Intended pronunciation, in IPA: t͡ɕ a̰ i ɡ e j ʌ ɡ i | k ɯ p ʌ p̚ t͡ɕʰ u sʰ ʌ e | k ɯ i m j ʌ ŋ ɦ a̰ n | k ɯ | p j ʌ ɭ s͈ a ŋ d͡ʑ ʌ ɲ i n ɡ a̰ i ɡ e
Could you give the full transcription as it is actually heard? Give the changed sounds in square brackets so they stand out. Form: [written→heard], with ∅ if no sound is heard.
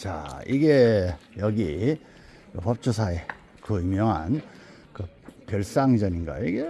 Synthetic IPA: t͡ɕ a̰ i ɡ e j ʌ ɡ i | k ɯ p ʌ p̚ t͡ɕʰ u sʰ [ʌ→a] e | k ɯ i m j ʌ ŋ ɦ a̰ n | k ɯ | p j ʌ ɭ s͈ a ŋ d͡ʑ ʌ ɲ i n ɡ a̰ i ɡ e